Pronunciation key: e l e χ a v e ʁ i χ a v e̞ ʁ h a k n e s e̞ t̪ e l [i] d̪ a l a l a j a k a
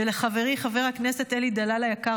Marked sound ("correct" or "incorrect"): correct